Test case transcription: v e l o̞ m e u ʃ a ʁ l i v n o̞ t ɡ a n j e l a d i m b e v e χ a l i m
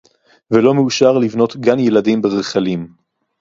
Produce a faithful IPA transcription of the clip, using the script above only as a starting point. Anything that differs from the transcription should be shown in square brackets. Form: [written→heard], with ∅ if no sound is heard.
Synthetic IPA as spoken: v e l o̞ m e u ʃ a ʁ l i v n o̞ t ɡ a n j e l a d i m b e [v→ʁ] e χ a l i m

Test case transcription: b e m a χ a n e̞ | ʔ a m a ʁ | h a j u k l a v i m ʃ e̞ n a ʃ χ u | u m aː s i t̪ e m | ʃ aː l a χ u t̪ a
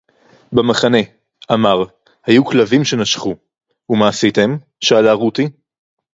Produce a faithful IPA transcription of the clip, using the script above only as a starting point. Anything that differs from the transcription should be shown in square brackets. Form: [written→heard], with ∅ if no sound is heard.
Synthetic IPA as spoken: b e m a χ a n e̞ | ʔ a m a ʁ | h a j u k l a v i m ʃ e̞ n a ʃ χ u | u m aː s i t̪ e m | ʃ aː l a [χ→ʁ] u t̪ [a→i]

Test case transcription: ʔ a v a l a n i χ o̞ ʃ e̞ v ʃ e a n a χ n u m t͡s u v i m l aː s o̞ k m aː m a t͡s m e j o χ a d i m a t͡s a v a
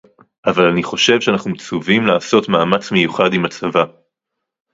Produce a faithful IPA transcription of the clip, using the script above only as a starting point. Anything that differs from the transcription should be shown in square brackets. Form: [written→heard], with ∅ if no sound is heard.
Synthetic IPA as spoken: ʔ a v a l a n i χ o̞ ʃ e̞ v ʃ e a n a χ n u m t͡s u v i m l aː s o̞ [k→t] m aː m a t͡s m e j [o→u] χ a d i m a t͡s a v a

